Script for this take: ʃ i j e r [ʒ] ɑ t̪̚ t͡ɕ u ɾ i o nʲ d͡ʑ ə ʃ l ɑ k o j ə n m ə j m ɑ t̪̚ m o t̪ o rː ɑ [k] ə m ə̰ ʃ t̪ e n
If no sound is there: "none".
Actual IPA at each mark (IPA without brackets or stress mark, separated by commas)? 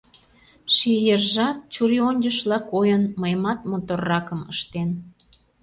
ʒ, k